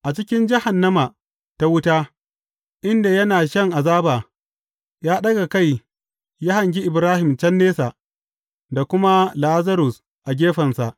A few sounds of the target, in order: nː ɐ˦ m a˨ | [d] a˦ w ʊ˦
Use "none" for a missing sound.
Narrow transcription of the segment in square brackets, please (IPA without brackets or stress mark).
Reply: t